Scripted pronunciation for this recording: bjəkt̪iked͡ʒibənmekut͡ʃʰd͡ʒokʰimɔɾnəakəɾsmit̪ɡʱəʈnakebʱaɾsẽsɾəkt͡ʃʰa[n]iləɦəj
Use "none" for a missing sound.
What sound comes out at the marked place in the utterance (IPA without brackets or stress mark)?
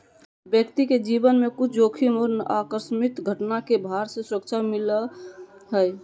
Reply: m